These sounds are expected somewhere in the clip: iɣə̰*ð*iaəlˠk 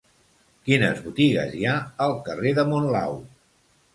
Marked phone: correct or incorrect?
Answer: incorrect